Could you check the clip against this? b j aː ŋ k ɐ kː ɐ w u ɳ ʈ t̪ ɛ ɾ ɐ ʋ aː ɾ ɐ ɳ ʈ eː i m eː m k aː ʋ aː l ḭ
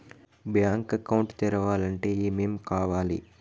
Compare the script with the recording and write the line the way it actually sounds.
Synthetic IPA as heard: b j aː ŋ k ɐ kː ɐ w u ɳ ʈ t̪ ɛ ɾ ɐ ʋ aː l ɐ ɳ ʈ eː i m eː m k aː ʋ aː l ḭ